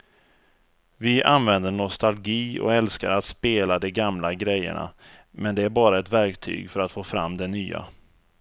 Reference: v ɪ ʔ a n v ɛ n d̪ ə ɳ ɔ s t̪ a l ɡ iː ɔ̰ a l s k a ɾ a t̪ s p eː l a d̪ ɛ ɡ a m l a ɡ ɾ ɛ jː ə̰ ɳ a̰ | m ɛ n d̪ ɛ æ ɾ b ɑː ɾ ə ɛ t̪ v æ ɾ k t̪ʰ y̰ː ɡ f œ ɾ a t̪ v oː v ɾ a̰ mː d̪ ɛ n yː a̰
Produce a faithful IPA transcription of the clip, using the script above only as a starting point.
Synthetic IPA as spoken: v ɪ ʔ a n v ɛ n d̪ ə ɳ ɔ s t̪ a l ɡ iː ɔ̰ ɛ l s k a ɾ a t̪ s p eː l a d̪ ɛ ɡ a m l a ɡ ɾ ɛ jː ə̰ ɳ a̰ | m ɛ n d̪ ɛ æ ɾ b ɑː ɾ a ɛ t̪ v æ ɾ k t̪ʰ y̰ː ɡ f œ ɾ a t̪ f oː f ɾ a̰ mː d̪ ɛ n yː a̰